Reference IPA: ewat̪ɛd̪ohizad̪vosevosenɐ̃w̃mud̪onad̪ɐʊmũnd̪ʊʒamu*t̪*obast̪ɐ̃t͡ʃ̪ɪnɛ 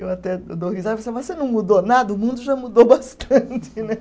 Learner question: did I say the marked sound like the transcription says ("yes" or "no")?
no